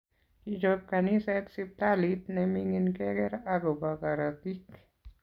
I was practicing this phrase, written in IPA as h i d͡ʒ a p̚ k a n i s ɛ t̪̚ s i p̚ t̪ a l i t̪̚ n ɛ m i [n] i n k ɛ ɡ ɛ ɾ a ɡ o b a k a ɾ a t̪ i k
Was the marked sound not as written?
yes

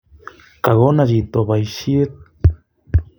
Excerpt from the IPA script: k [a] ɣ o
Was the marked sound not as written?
no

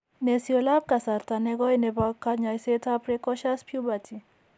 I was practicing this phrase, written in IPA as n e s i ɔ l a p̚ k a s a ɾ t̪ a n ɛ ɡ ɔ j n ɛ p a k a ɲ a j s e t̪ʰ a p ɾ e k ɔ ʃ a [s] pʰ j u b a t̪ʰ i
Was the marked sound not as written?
no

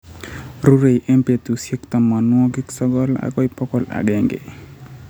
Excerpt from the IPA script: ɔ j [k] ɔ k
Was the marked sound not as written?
yes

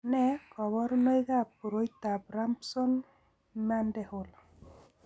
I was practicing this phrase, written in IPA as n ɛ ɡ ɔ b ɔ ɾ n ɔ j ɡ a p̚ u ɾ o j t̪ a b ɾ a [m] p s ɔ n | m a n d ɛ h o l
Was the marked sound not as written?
no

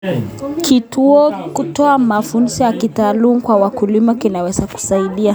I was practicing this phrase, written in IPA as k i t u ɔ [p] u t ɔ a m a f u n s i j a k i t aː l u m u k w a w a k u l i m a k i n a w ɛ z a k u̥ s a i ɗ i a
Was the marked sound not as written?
yes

